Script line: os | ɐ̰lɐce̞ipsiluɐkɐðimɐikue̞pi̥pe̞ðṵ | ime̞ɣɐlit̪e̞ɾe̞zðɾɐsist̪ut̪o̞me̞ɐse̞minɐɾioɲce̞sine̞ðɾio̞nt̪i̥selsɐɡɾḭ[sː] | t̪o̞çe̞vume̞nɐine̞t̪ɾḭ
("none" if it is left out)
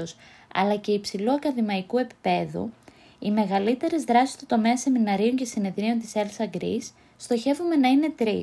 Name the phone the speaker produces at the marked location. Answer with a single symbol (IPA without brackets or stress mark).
sː